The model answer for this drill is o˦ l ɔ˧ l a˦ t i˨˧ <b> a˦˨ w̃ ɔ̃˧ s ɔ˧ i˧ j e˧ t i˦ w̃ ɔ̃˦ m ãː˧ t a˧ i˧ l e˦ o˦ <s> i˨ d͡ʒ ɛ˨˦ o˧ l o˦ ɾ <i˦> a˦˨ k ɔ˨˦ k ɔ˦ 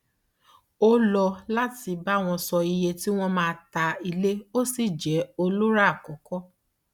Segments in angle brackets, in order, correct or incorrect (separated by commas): correct, correct, incorrect